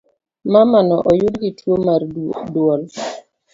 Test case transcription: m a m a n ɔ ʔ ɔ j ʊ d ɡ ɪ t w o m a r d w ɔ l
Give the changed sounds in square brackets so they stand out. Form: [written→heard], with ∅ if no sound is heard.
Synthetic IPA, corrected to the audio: m a m a n ɔ ʔ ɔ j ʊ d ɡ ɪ t w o m a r d w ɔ l